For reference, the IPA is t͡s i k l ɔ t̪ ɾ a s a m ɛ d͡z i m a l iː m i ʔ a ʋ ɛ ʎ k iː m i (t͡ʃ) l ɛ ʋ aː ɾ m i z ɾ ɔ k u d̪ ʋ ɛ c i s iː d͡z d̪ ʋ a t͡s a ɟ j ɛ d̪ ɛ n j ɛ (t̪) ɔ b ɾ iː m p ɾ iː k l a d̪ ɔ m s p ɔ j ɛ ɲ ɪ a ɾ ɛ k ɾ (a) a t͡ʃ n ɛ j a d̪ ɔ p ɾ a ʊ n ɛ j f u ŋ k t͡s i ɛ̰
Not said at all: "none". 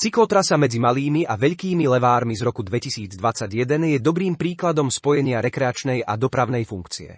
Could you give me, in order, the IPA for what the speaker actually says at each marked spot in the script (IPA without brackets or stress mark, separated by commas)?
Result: none, d̪, ɛ